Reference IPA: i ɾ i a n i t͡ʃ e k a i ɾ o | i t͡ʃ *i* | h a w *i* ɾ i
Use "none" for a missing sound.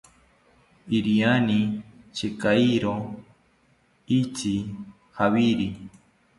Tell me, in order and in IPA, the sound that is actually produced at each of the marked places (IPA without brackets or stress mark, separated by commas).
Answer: i, i